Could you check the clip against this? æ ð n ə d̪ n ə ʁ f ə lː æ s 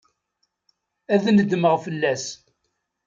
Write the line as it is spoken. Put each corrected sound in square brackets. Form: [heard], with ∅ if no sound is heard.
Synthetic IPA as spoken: æ ð n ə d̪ [m] ə ʁ f ə lː æ s